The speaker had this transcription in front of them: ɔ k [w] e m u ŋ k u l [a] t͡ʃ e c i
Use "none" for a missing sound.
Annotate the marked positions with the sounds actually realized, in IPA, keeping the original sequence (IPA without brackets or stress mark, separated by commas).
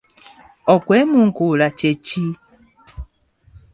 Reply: w, a